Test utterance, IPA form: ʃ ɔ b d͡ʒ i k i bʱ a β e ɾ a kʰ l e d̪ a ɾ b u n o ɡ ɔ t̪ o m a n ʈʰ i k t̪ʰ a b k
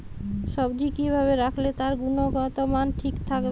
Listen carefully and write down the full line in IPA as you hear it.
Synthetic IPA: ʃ ɔ b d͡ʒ i k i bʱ a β e ɾ a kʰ l e t̪ a ɾ ɡ u n o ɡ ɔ t̪ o m a n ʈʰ i k t̪ʰ a k